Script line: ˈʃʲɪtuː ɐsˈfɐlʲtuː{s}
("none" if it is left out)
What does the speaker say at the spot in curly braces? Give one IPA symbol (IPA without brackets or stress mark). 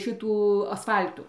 none